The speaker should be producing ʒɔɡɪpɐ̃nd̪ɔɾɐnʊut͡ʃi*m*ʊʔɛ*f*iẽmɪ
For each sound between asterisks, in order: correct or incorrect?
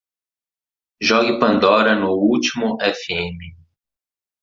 correct, correct

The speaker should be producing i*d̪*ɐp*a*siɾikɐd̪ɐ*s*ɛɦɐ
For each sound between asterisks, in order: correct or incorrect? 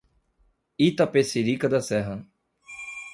incorrect: t̪, incorrect: e, correct

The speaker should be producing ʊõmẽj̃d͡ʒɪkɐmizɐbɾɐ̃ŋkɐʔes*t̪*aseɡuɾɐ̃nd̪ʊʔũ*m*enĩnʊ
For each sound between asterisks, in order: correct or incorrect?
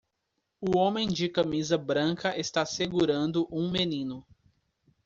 correct, correct

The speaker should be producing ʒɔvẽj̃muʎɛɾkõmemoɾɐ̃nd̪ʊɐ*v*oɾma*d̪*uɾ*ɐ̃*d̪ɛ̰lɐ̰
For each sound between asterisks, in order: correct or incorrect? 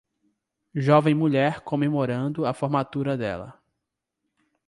incorrect: f, incorrect: t̪, incorrect: ɐ

